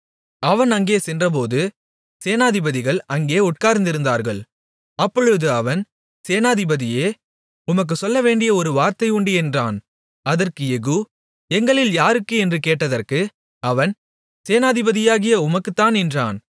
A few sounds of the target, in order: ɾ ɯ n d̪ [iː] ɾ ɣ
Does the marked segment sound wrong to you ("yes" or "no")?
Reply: yes